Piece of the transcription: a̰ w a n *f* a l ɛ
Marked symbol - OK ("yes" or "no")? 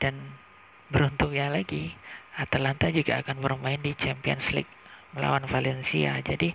yes